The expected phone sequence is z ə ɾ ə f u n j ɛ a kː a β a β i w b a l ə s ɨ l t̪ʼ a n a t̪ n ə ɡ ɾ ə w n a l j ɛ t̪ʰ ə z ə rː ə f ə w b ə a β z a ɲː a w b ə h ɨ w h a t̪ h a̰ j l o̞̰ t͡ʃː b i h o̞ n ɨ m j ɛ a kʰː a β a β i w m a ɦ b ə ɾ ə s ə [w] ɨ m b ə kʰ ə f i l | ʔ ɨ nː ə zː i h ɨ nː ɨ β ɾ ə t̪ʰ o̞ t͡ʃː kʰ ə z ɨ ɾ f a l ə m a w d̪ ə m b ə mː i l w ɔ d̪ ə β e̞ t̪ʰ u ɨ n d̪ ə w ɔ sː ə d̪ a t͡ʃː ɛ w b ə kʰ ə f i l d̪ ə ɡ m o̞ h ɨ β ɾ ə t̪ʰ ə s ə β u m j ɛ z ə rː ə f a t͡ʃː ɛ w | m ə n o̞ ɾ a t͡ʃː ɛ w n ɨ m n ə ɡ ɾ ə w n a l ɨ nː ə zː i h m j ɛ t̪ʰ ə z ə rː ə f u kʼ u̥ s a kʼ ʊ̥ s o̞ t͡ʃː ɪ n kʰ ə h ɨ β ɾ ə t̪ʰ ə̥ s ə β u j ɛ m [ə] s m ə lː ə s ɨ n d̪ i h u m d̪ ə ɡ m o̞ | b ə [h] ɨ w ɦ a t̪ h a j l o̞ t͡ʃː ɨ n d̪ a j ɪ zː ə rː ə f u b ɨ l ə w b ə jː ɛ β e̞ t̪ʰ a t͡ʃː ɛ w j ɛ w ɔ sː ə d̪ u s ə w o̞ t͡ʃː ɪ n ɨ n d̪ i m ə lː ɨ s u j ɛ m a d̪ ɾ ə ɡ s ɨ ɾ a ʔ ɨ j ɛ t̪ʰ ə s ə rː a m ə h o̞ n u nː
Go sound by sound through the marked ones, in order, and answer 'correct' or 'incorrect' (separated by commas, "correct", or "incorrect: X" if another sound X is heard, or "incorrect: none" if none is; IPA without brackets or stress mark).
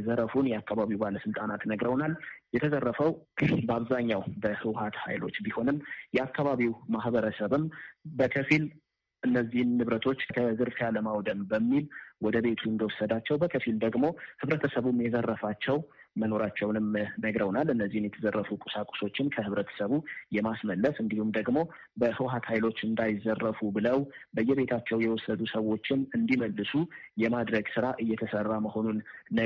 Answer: incorrect: β, incorrect: a, correct